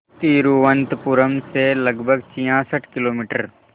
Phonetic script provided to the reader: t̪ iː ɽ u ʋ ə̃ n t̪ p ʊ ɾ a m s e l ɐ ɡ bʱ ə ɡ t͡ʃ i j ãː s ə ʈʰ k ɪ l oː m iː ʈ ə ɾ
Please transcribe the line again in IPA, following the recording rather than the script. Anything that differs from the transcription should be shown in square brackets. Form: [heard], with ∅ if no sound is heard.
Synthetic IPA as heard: t̪ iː [ɾ] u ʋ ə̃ n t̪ p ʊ ɾ [ə] m s e l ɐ ɡ bʱ ə ɡ t͡ʃ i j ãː s ə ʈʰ k ɪ l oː m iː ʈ ə ɾ